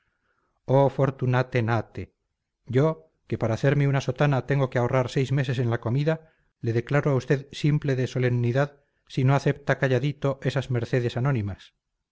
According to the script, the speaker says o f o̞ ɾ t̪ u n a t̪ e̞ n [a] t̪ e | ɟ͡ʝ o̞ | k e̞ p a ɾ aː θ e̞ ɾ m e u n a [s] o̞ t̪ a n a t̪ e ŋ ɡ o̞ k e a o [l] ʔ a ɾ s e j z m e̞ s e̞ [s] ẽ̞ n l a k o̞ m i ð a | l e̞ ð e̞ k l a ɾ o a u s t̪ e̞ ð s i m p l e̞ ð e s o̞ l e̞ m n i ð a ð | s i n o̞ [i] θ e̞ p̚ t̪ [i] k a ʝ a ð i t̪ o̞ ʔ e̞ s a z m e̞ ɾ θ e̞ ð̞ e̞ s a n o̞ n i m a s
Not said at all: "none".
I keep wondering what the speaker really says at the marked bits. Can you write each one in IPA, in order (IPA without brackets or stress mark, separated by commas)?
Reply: a, s, r, s, a, a